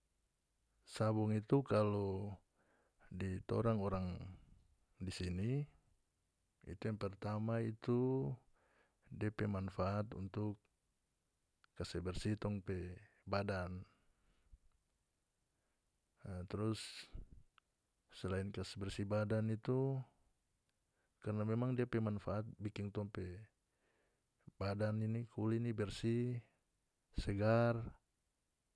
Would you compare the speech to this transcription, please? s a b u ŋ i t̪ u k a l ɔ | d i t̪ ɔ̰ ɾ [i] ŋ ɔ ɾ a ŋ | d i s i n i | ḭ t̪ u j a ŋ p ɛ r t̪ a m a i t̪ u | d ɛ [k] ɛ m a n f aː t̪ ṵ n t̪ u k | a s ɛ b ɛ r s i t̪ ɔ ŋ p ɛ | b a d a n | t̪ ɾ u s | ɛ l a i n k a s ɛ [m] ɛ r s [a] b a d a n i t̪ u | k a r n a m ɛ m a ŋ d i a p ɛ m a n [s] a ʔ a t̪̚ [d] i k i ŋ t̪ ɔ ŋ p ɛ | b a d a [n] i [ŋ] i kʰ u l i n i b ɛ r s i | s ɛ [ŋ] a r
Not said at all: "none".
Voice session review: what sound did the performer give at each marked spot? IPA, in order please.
a, p, b, i, f, b, n, n, ɡ

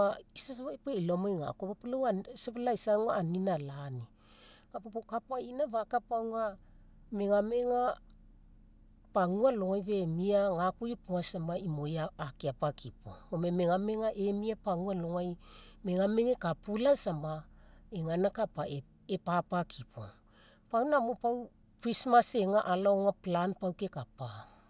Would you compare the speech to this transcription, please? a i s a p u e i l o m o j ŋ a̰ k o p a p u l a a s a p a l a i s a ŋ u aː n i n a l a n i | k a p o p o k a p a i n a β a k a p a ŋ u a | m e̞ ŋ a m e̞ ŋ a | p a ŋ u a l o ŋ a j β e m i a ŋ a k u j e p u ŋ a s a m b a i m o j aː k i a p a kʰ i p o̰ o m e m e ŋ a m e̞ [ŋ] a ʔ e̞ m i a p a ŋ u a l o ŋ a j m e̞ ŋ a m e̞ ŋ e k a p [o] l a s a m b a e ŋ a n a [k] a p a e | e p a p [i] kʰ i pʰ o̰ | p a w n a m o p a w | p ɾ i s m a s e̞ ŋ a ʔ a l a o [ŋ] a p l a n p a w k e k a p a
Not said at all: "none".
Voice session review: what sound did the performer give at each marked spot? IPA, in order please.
ŋ, u, k, a, ŋ

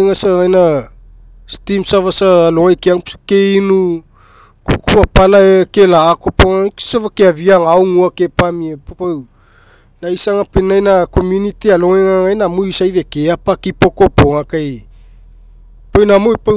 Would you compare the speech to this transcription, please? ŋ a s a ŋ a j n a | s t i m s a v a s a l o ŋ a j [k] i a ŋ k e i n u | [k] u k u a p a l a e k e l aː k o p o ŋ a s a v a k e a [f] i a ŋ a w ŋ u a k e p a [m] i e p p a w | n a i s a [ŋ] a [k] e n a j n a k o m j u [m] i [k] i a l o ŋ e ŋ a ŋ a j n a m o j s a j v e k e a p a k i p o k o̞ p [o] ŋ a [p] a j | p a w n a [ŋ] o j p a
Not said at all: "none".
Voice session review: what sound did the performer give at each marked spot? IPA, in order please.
k, k, v, m, ŋ, p, n, t, o, k, m

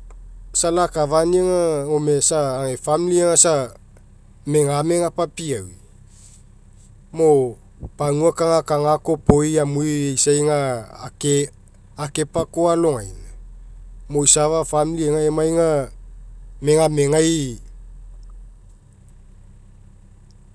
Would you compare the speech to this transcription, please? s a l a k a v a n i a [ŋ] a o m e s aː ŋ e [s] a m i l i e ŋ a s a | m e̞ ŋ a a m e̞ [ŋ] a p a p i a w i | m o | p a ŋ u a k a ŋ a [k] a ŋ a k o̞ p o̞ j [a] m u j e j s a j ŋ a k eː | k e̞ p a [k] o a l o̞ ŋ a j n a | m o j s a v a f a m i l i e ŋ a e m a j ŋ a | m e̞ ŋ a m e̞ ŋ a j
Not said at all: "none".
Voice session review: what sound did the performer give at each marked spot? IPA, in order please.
ŋ, f, ŋ, k, a, k

